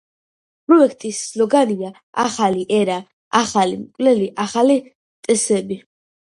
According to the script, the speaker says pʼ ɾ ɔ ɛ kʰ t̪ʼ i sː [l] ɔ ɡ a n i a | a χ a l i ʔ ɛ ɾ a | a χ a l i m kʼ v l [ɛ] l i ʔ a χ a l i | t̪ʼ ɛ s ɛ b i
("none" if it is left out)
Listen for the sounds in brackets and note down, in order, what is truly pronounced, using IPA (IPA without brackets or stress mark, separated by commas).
l, ɛ